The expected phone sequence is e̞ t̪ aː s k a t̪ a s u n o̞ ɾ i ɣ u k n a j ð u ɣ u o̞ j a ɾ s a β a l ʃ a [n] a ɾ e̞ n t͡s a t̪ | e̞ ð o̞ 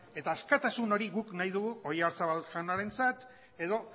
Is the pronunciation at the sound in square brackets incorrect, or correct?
correct